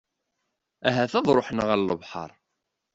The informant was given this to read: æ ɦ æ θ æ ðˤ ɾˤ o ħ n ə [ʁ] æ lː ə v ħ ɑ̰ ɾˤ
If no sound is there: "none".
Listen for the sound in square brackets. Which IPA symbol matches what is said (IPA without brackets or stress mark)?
ʁ